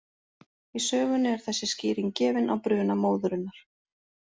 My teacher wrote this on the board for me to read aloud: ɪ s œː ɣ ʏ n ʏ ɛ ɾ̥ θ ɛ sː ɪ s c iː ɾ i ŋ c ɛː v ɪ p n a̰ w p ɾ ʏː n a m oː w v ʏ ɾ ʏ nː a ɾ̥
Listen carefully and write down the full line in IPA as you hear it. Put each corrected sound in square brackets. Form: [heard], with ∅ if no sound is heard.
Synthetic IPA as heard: [i] s œː ɣ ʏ n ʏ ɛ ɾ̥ θ ɛ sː ɪ s c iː ɾ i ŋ c ɛː v ɪ [∅] n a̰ w p ɾ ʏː n a m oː w [ð] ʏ ɾ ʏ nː a ɾ̥